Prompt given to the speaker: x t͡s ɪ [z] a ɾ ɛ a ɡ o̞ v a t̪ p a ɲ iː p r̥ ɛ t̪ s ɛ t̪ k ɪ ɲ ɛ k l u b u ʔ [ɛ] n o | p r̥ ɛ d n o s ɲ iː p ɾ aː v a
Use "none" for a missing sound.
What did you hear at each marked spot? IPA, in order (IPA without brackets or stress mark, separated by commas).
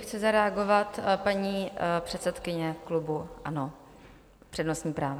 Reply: z, a